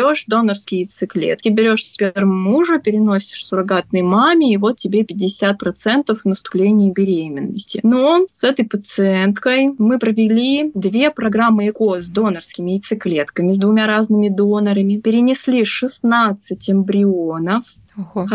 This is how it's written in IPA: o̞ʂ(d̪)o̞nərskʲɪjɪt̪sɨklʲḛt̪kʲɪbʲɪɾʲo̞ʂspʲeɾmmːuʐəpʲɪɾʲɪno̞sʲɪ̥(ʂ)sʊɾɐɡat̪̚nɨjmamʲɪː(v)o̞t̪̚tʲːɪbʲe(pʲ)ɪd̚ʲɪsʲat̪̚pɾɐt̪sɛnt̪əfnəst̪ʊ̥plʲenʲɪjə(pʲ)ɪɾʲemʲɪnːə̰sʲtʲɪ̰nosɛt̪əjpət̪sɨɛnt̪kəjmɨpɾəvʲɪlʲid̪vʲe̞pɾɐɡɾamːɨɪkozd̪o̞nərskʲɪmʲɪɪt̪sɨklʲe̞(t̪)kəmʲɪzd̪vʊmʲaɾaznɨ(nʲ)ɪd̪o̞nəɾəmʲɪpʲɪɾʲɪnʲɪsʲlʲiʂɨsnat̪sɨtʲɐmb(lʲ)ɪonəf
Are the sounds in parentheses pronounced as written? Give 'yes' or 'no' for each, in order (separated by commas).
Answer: yes, yes, yes, yes, no, yes, no, no